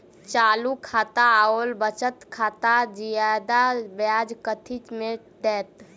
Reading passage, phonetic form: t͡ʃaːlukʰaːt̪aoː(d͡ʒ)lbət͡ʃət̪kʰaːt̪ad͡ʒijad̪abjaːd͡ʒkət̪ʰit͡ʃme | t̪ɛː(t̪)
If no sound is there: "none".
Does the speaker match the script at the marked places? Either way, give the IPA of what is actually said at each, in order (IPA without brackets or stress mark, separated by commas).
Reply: none, t̪